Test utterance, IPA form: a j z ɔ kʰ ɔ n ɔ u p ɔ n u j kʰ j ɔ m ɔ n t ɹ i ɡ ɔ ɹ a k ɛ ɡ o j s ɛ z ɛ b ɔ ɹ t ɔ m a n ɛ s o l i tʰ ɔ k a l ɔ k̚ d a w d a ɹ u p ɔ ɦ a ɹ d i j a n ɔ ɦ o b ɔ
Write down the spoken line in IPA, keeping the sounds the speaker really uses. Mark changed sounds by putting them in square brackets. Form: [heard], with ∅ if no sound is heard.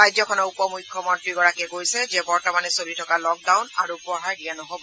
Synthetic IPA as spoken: a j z ɔ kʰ ɔ n ɔ u p ɔ [m] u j kʰ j ɔ m ɔ n t ɹ i ɡ ɔ ɹ a k ɛ ɡ o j s ɛ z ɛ b ɔ ɹ t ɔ m a n ɛ s o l i tʰ ɔ k a l ɔ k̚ d a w [n] a ɹ u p ɔ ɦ a ɹ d i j a n ɔ ɦ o b ɔ